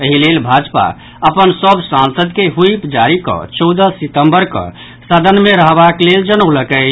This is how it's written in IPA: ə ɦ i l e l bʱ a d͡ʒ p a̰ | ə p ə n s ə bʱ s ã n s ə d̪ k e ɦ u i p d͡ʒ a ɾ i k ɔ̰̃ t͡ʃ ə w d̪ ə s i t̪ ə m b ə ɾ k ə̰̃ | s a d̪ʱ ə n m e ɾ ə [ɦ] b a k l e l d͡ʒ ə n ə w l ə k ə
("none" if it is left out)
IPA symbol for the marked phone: ɦ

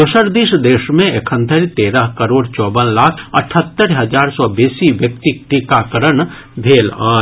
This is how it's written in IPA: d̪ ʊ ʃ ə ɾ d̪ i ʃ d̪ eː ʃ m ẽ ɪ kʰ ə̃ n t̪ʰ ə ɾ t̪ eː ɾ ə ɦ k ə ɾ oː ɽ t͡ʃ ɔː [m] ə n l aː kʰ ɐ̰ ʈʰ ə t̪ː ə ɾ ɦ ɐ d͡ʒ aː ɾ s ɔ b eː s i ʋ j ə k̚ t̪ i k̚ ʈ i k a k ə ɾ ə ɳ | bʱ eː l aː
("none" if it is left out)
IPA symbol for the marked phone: b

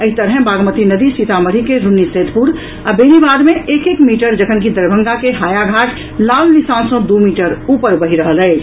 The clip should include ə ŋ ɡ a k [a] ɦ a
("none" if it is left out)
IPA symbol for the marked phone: e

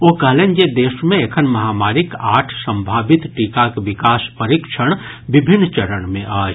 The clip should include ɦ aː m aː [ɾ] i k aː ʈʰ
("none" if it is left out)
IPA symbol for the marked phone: ɾ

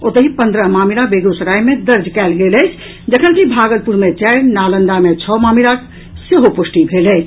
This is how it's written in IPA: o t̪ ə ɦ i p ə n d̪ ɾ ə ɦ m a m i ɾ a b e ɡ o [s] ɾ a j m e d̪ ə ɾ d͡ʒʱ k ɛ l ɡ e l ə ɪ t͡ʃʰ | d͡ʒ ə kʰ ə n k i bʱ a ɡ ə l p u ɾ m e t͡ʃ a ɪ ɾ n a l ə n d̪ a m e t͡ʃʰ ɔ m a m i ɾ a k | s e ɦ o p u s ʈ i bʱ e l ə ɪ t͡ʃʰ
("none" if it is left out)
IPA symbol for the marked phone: s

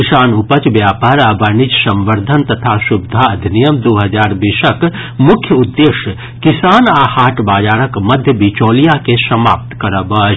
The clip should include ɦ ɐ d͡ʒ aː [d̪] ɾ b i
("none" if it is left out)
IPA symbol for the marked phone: none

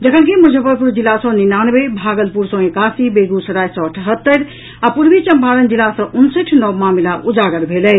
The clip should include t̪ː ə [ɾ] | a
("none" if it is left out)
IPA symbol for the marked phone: ɾ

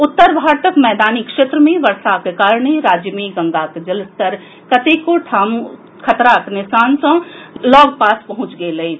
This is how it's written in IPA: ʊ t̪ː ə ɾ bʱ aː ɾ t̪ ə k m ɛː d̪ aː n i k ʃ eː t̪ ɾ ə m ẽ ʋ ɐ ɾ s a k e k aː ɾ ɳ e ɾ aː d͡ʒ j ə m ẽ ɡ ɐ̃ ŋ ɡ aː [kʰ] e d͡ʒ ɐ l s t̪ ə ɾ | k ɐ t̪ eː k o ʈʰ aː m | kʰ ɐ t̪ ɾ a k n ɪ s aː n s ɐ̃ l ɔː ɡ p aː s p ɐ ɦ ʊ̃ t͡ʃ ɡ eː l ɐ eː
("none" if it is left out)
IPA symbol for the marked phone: k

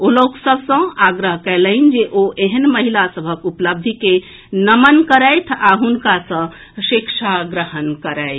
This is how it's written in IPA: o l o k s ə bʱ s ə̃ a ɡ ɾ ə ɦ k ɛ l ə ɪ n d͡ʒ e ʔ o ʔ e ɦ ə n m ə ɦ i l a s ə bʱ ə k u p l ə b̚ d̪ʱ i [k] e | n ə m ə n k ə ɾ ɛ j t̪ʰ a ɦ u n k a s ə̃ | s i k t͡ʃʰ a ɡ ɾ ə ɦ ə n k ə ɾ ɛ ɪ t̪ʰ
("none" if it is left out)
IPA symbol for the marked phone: k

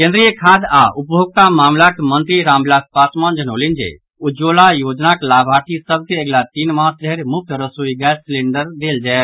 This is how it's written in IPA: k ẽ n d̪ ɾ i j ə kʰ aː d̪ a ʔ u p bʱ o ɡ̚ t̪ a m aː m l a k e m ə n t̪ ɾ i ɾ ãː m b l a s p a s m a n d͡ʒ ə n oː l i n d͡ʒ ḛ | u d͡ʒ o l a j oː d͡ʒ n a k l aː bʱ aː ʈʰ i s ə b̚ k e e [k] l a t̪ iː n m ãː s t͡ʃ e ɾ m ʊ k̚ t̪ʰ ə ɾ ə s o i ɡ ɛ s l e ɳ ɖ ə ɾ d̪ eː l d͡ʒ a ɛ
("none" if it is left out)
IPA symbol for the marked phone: ɡ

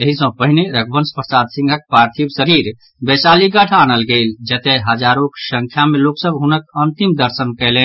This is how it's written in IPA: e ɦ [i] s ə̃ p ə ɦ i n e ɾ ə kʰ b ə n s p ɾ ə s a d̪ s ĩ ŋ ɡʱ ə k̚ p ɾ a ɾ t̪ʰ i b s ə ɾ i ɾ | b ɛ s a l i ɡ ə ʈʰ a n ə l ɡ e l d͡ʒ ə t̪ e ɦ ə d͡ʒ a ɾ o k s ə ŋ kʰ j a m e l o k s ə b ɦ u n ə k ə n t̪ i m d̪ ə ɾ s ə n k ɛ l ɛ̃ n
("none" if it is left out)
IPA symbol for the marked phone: i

